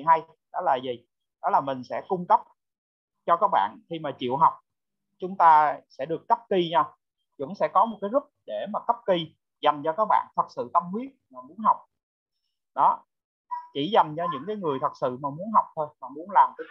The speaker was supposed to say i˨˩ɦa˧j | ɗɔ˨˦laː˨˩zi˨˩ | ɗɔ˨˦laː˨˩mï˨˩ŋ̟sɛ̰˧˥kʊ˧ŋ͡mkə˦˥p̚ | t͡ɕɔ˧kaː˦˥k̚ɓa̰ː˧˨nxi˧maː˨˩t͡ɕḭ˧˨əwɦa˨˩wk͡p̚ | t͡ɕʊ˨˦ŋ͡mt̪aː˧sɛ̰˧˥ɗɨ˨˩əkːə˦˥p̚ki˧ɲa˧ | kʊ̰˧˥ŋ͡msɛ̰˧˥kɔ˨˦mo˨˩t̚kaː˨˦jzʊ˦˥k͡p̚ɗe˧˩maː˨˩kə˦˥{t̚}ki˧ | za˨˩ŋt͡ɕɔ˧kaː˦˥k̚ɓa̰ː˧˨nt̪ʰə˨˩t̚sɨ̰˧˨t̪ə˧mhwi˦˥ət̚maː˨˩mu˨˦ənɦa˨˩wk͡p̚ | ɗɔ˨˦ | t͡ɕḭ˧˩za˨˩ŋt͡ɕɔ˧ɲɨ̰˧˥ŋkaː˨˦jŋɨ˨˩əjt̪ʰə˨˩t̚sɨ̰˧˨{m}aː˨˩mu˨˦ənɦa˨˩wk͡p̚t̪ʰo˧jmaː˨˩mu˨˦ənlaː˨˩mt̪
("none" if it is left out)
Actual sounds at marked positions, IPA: p̚, m

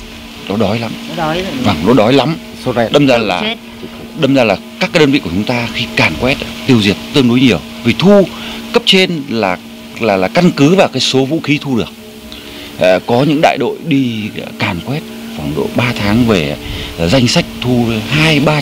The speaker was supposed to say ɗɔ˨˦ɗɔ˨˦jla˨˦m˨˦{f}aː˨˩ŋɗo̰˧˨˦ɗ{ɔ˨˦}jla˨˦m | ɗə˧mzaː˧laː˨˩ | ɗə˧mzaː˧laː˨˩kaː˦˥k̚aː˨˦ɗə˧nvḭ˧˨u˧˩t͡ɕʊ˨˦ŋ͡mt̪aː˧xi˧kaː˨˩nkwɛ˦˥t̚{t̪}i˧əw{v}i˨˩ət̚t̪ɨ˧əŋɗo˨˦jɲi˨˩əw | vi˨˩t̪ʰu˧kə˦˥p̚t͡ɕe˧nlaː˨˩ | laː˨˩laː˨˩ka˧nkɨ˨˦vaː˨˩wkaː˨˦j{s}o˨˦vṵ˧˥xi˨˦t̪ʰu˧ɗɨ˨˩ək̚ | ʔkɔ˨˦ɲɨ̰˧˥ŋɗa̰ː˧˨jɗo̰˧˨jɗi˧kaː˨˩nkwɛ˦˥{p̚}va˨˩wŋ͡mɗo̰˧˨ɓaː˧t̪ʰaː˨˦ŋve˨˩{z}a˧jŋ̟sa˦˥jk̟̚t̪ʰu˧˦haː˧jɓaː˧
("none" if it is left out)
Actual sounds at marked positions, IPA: v, ɔ˨˦, t̪, z, s, t̚, z

